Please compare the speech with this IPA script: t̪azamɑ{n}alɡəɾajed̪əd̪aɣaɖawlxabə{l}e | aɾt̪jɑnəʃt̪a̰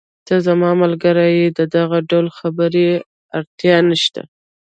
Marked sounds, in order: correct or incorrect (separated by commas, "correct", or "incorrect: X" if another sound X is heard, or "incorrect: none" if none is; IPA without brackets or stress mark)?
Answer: incorrect: m, incorrect: ɾ